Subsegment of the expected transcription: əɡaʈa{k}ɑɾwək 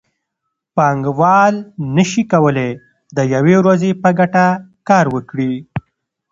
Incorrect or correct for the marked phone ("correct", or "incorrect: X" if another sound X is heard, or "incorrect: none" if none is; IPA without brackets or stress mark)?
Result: correct